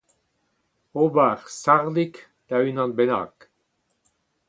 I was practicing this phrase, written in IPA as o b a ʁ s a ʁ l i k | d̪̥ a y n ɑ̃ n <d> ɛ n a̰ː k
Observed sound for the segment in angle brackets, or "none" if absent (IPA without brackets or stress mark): b